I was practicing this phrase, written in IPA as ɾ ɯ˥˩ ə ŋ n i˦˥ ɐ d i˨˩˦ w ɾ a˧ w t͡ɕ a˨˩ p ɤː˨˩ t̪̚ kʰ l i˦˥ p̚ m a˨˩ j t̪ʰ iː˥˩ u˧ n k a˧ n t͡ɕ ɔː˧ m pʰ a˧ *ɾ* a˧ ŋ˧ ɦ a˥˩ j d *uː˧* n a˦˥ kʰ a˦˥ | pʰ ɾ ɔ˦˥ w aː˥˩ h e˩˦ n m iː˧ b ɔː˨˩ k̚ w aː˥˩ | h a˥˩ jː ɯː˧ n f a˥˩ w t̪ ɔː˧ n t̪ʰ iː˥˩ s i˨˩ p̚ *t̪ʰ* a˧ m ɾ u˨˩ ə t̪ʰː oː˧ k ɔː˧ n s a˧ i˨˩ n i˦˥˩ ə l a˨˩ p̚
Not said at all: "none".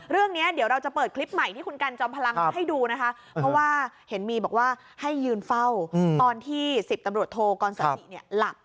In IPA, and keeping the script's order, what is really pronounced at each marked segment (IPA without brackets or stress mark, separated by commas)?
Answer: l, uː˧, t̪